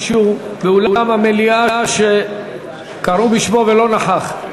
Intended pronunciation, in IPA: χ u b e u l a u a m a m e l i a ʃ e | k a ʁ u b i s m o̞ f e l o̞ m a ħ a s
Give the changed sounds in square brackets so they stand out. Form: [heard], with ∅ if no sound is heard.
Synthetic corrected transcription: [ʃ] u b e u l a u a m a m e l i a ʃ e | k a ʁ u b i [ʃ] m o̞ [v] e l o̞ [n] a ħ a [χ]